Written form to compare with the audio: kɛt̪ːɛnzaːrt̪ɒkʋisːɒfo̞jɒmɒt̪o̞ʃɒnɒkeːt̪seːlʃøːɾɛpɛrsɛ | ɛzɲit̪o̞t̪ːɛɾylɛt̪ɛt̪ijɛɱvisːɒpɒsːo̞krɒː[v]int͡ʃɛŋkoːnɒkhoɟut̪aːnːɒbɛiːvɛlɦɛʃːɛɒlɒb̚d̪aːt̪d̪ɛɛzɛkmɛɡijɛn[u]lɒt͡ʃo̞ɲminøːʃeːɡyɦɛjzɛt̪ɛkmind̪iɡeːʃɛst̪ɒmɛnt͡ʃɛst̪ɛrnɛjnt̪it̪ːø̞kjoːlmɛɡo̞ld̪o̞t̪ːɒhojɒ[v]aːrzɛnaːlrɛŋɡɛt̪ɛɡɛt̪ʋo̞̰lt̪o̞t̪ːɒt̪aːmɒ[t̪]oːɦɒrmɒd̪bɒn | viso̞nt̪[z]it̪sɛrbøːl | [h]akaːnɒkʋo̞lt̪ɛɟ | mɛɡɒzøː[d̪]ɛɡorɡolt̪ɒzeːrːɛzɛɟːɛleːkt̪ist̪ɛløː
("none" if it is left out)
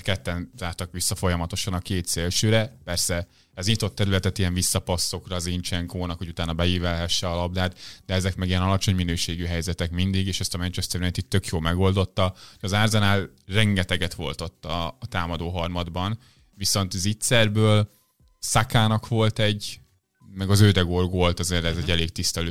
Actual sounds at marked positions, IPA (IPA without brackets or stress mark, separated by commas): z, ɒ, z, d̪, z, s, d̪